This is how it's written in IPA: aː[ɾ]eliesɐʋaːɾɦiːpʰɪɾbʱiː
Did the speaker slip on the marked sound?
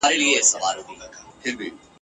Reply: no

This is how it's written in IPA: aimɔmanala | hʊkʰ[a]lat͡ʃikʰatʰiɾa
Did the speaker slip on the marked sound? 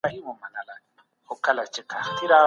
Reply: no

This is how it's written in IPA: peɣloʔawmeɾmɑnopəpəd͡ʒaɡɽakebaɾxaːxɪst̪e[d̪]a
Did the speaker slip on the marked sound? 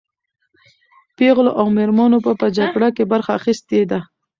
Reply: no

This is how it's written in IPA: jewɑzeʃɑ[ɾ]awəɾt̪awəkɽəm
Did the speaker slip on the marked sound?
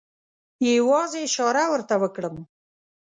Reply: no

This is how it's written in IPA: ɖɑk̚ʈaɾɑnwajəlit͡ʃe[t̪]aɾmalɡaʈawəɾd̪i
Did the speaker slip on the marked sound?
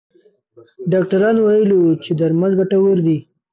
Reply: yes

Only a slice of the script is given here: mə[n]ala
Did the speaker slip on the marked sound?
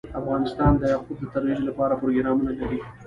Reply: no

